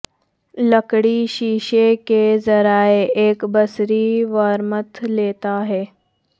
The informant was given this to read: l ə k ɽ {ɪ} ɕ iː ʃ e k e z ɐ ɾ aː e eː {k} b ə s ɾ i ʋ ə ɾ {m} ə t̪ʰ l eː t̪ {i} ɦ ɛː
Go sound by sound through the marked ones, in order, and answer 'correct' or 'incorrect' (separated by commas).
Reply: incorrect, correct, correct, incorrect